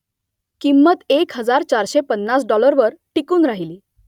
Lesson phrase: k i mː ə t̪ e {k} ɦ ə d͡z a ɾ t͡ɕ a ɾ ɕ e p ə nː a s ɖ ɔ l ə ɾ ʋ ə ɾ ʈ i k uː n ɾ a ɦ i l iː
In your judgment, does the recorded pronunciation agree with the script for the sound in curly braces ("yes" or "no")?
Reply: yes